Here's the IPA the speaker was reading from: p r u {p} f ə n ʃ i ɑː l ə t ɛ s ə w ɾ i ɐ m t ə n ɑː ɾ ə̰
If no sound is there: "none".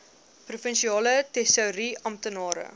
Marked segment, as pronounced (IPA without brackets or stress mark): none